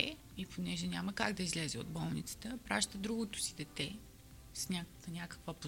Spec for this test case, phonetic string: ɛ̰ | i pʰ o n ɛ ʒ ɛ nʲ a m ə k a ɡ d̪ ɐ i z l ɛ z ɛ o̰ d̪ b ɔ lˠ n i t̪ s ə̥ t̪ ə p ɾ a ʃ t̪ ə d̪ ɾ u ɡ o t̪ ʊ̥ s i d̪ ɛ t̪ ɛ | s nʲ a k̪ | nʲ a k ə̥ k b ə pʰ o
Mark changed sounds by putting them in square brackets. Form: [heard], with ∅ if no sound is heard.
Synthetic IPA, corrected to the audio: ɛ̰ | i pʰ o n ɛ ʒ ɛ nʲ a m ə k a ɡ d̪ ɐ i z l ɛ z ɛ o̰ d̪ b ɔ lˠ n i t̪ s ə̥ t̪ ə p ɾ a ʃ t̪ ə d̪ ɾ u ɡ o t̪ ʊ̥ s i d̪ ɛ t̪ ɛ | s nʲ a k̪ | nʲ a k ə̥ k [v] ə [p] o